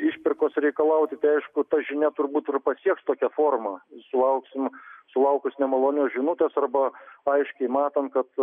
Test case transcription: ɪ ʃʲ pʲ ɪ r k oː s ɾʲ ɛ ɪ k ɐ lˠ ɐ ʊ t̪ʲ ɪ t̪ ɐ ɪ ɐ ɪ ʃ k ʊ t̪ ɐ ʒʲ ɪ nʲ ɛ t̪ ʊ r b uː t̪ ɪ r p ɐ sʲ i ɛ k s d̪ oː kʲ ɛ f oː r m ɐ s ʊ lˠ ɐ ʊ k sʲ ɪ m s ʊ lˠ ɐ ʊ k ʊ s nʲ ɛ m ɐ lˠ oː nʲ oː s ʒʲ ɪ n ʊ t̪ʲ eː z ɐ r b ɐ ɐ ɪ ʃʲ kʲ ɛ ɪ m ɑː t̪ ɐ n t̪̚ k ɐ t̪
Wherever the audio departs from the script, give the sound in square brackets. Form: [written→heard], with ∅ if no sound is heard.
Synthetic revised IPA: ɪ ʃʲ pʲ ɪ r k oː s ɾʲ ɛ ɪ k ɐ lˠ ɐ ʊ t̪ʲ ɪ t̪ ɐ ɪ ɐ ɪ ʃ k ʊ t̪ ɐ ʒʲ ɪ nʲ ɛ t̪ ʊ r b uː t̪ ɪ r p ɐ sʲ i ɛ k s [d̪→t̪] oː kʲ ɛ f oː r m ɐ s ʊ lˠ ɐ ʊ k sʲ ɪ m s ʊ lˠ ɐ ʊ k ʊ s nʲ ɛ m ɐ lˠ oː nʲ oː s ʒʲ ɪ n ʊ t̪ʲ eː [z→s] ɐ r b ɐ ɐ ɪ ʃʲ kʲ ɛ ɪ m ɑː t̪ ɐ n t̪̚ k ɐ t̪